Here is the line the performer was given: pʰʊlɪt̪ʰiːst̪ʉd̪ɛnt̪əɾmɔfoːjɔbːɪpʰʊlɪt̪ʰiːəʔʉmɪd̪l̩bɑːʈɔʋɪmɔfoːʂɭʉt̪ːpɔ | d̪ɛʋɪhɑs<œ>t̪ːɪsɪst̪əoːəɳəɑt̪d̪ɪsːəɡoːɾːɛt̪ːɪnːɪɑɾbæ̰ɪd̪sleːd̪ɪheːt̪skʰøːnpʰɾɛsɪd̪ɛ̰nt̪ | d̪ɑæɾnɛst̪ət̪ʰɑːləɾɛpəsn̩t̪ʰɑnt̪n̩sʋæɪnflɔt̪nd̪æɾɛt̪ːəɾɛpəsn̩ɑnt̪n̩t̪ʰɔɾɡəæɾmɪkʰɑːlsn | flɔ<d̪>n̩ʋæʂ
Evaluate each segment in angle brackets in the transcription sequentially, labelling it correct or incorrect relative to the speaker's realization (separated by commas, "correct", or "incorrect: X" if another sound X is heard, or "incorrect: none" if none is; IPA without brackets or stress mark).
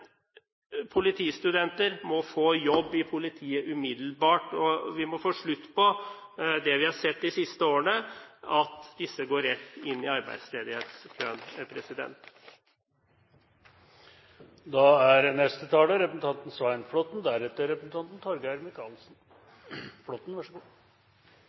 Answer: incorrect: ɛ, incorrect: t̪